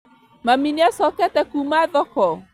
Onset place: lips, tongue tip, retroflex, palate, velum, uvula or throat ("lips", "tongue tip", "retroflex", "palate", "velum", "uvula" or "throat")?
lips